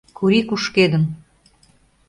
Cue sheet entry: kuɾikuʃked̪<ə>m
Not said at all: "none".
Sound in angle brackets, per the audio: ə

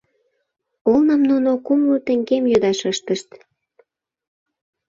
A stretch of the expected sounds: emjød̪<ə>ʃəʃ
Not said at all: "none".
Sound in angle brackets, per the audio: ɑ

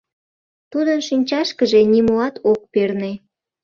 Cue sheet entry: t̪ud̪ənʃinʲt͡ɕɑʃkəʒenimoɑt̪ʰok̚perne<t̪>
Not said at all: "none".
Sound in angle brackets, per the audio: none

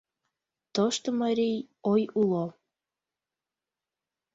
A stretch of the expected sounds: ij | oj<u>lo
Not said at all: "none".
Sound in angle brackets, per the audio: u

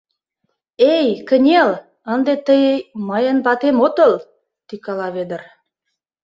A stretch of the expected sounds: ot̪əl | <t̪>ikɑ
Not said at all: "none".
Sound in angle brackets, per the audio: t̪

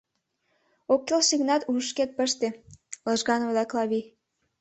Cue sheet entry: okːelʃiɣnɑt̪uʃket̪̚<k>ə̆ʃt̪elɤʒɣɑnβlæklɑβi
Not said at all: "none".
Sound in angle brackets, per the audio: p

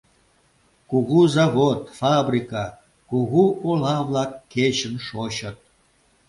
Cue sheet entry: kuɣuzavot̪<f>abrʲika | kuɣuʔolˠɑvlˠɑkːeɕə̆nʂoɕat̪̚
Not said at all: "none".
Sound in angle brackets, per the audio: f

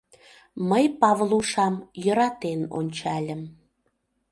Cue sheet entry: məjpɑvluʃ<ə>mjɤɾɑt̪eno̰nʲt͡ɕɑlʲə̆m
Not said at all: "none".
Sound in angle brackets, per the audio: ɑ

